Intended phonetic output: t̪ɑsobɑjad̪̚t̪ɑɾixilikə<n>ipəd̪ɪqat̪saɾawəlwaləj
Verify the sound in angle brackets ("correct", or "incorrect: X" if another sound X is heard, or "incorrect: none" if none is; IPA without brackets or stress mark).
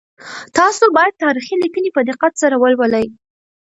correct